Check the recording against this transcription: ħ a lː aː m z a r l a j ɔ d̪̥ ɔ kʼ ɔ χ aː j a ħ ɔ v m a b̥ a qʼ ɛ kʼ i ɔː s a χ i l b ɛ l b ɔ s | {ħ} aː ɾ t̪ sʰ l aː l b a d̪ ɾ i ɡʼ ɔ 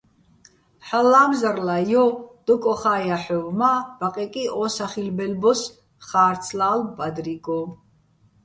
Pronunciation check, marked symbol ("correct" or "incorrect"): incorrect